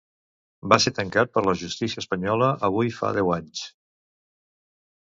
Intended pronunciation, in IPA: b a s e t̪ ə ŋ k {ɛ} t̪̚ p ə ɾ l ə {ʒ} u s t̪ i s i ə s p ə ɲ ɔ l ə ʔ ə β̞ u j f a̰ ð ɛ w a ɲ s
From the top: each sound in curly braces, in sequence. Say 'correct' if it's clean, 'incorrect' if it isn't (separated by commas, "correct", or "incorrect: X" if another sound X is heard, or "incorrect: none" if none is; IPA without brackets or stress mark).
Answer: incorrect: a, correct